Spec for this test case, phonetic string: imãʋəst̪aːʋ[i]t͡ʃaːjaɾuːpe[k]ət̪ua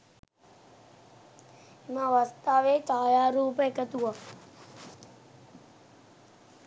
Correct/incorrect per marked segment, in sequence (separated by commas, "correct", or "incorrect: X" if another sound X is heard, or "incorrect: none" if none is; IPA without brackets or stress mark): incorrect: e, correct